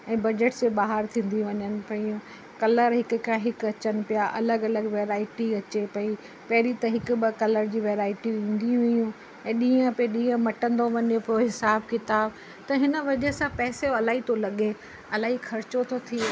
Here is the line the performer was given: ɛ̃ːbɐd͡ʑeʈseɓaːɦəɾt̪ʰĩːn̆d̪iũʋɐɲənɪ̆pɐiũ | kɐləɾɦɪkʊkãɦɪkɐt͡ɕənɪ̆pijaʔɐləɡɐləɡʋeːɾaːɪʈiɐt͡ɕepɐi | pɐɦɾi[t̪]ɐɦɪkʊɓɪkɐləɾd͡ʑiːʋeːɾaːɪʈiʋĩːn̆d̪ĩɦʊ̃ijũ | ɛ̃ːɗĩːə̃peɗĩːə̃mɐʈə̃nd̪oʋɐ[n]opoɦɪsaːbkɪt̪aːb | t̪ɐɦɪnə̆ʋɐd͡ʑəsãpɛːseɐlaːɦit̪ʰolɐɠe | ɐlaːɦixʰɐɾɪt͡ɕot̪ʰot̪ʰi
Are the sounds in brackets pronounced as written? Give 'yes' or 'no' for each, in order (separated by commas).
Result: yes, no